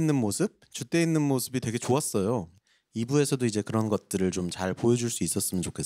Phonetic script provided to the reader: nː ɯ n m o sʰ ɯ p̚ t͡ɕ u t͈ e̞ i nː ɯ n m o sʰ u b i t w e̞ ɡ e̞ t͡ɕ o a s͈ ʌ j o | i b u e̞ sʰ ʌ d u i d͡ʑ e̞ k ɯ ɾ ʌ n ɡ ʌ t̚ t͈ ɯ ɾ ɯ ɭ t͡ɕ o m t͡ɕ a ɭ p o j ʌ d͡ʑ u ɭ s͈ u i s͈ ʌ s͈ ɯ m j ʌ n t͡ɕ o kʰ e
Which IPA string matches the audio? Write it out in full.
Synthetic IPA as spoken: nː ɯ n m o sʰ ɯ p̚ t͡ɕ u t͈ e̞ i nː ɯ n m o sʰ ɯ b i t w e̞ ɡ e̞ t͡ɕ o a s͈ ʌ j o | i b u e̞ sʰ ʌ d o i d͡ʑ e̞ k ɯ ɾ ʌ n ɡ ʌ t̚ t͈ ɯ ɾ ɯ ɭ t͡ɕ o m t͡ɕ a ɭ p o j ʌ d͡ʑ u ɭ s͈ u i s͈ ʌ s͈ ɯ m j ʌ n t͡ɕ o kʰ e

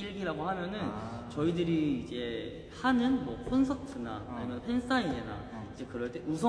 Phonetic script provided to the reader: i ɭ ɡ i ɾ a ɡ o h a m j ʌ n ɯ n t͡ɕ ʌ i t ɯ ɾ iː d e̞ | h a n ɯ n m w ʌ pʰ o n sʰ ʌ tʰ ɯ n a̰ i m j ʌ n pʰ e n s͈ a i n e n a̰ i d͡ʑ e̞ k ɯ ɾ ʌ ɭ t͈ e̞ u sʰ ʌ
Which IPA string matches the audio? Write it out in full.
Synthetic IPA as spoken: i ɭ ɡ i ɾ a ɡ o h a m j ʌ n ɯ n t͡ɕ ʌ i d ɯ ɾ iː d͡ʑ e̞ | h a n ɯ n m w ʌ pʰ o n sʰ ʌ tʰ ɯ n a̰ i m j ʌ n pʰ e n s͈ a i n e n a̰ i d͡ʑ e̞ k ɯ ɾ ʌ ɭ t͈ e̞ u sʰ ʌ

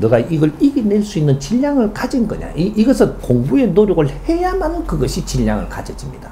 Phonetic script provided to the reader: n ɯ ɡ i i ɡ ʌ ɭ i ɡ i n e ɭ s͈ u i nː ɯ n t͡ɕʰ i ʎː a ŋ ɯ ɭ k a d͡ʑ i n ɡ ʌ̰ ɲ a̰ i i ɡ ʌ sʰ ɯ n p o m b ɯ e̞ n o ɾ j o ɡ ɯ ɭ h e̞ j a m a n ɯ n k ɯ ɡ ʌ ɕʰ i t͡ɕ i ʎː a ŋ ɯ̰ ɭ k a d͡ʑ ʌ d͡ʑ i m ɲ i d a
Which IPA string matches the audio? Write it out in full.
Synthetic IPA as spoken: n ɯ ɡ a i ɡ ʌ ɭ i ɡ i n e ɭ s͈ u i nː ɯ n t͡ɕ i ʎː a ŋ ɯ ɭ k a d͡ʑ i n ɡ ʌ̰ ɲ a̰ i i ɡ ʌ sʰ ɯ n p o ŋ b u e̞ n o ɾ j o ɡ ɯ ɭ h e̞ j a m a n ɯ n k ɯ ɡ ʌ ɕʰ i t͡ɕ i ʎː a ŋ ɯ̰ ɭ k a d͡ʑ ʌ d͡ʑ i m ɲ i d a

